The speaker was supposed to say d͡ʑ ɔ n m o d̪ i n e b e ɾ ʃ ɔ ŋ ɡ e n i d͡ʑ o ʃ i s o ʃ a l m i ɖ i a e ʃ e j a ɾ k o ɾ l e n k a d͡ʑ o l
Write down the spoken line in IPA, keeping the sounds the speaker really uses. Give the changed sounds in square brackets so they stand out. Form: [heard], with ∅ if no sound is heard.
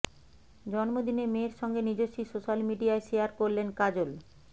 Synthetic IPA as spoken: d͡ʑ ɔ n m o d̪ i n e [m] e ɾ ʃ ɔ ŋ ɡ e n i d͡ʑ o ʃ i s o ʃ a l m i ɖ i a e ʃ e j a ɾ k o ɾ l e n k a d͡ʑ o l